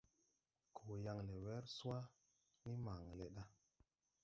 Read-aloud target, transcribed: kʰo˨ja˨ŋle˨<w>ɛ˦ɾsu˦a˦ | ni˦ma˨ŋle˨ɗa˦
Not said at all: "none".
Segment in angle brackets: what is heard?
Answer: w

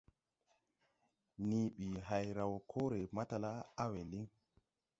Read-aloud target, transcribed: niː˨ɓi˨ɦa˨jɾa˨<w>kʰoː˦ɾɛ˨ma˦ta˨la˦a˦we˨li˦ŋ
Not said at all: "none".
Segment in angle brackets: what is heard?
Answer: w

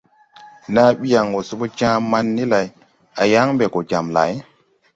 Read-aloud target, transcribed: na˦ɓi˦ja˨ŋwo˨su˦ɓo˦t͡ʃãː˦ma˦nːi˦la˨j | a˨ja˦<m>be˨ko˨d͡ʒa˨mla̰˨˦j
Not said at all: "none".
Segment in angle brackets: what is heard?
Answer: ŋ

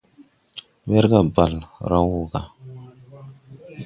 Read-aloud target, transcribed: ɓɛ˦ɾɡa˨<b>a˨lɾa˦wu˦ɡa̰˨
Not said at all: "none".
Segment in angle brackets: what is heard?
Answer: b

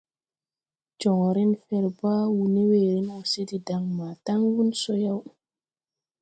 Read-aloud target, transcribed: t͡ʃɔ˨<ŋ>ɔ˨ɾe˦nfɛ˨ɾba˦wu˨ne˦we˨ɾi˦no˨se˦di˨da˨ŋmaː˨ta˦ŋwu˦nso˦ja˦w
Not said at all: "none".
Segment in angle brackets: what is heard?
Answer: ŋ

